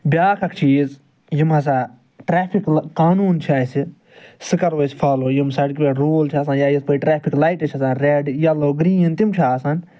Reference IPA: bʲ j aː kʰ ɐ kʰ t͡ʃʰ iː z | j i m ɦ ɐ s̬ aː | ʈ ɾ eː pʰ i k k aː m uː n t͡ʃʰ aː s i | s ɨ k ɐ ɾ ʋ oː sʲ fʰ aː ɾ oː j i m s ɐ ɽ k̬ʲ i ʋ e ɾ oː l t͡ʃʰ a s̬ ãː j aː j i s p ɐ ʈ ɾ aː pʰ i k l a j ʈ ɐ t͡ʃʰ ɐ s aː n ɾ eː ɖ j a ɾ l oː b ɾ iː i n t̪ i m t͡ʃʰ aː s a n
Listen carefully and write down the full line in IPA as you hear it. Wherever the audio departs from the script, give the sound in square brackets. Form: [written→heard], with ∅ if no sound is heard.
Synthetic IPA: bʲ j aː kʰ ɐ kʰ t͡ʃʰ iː z | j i m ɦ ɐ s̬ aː | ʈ ɾ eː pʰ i k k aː [m→n] uː n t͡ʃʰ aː s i | s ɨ k ɐ ɾ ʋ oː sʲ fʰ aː [ɾ→l] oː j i m s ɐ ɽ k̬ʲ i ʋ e ɾ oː l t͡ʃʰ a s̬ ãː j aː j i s p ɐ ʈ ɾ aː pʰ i k l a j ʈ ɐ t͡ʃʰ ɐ s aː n ɾ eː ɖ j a [ɾ→∅] l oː [b→ɡ] ɾ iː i n t̪ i m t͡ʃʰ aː s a n